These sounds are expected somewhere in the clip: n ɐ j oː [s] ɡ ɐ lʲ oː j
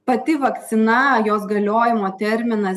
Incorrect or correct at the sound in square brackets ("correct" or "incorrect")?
correct